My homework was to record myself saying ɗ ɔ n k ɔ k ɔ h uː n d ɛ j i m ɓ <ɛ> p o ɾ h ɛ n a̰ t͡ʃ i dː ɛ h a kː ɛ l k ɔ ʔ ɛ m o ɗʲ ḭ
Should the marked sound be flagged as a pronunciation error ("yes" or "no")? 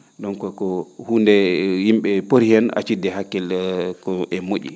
no